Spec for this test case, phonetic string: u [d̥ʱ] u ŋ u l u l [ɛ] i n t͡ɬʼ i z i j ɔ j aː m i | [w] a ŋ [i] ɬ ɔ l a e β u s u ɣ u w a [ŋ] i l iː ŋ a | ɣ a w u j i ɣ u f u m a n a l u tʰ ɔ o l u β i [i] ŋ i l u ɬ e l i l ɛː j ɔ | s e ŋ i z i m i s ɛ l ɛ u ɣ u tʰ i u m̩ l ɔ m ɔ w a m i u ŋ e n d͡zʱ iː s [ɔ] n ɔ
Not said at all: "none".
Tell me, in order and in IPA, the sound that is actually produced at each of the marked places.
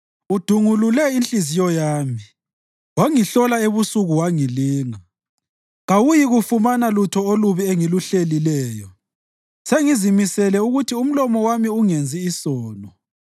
d̥ʱ, ɛ, w, i, ŋ, e, ɔː

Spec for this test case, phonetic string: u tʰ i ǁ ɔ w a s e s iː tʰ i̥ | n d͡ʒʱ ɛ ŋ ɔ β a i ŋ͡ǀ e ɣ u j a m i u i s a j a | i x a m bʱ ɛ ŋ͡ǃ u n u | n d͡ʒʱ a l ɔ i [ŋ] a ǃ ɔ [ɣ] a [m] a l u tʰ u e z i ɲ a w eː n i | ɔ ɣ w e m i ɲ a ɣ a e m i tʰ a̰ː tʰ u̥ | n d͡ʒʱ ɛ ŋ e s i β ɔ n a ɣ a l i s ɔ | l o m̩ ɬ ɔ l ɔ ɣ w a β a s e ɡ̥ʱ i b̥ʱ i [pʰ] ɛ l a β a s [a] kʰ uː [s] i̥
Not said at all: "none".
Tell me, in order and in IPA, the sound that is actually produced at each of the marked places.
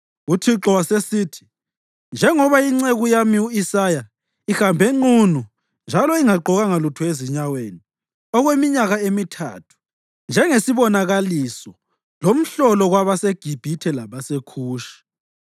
ŋ, ɣ, ŋ, tʰ, e, ʃ

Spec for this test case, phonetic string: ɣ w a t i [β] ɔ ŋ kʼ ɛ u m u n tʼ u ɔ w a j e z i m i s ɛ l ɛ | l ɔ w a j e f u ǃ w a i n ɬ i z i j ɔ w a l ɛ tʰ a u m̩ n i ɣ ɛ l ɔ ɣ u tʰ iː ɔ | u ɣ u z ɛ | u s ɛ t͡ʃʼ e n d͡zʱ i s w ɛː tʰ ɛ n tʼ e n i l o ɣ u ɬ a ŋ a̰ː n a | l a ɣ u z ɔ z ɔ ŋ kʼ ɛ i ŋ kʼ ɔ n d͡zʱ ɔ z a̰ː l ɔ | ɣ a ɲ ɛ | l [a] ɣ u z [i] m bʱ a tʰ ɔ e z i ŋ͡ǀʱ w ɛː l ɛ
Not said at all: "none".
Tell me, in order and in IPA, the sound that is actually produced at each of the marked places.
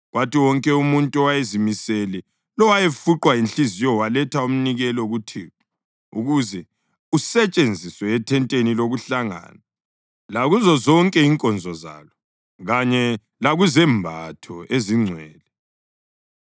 w, a, ɛ

